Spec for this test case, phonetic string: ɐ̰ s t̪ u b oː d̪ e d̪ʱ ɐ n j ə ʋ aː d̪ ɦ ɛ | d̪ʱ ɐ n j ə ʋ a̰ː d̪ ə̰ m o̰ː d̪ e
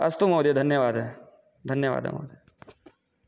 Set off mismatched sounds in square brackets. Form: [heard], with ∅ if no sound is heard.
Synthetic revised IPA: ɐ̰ s t̪ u [m] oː d̪ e d̪ʱ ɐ n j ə ʋ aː d̪ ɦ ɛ | d̪ʱ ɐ n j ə ʋ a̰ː d̪ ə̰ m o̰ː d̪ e